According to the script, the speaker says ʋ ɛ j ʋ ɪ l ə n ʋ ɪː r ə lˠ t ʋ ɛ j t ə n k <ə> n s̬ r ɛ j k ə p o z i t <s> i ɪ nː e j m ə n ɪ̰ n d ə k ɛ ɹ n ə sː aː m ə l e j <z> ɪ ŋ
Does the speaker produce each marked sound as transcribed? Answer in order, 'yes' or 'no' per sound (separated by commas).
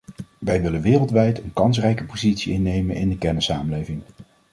no, yes, no